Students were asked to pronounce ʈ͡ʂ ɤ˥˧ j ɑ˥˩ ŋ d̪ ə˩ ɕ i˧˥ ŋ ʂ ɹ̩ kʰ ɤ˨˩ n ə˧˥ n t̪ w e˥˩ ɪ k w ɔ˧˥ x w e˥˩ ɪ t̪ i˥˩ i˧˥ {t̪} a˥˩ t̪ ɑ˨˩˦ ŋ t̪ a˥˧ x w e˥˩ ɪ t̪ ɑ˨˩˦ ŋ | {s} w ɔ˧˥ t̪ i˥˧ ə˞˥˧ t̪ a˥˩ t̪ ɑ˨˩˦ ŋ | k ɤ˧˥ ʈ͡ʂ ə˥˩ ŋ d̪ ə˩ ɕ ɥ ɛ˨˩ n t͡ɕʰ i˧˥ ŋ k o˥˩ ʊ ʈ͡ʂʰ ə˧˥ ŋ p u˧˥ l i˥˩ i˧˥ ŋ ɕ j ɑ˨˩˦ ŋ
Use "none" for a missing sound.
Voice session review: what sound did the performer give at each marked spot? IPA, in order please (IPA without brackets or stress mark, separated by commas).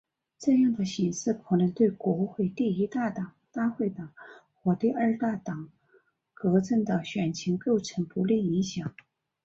t̪, x